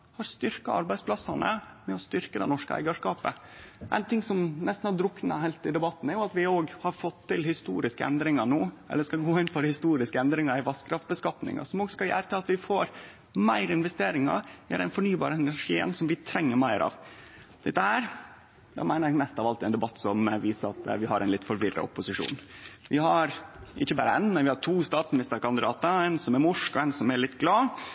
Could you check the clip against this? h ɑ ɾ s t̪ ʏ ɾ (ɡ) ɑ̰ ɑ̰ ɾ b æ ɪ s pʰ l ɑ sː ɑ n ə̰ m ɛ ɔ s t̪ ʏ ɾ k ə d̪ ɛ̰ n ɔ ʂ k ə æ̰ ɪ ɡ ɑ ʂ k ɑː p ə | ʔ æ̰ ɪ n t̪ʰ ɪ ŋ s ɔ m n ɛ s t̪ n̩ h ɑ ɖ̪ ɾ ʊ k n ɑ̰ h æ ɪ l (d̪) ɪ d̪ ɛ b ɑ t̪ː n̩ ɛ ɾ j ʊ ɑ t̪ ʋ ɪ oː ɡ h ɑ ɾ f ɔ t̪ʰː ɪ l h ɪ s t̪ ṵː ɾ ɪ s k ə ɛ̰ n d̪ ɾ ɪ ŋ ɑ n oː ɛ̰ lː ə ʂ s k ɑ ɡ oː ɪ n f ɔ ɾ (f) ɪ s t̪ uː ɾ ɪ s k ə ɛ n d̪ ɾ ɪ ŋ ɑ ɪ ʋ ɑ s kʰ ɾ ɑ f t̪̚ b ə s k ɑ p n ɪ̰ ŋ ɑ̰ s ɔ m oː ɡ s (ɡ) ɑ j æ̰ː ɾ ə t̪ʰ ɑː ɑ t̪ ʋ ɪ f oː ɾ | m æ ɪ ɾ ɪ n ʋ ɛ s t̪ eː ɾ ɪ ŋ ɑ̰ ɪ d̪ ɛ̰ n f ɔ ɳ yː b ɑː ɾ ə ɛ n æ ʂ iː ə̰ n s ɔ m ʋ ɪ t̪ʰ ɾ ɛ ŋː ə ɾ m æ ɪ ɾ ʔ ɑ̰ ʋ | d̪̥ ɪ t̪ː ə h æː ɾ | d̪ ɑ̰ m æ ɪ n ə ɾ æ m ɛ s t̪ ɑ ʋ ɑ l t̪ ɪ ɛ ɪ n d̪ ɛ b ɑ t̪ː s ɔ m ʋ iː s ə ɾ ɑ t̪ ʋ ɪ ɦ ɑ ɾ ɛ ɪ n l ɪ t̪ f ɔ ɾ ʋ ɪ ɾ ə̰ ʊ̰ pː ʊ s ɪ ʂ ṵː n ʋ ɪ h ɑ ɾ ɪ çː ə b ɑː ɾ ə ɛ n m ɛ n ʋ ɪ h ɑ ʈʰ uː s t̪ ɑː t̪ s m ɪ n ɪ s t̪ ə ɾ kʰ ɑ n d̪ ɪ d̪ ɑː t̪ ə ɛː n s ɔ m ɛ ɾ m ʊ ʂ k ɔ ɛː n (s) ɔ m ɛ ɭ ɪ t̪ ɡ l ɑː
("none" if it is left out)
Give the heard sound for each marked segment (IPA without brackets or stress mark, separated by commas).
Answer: k, t̪, h, k, s